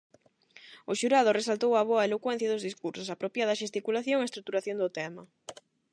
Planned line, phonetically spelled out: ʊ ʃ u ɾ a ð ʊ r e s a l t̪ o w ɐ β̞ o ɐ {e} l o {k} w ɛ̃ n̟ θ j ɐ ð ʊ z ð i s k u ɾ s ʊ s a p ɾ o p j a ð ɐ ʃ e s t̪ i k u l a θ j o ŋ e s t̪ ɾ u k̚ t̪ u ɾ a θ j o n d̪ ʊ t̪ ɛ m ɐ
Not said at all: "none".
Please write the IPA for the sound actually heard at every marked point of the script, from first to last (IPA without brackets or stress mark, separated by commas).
e, k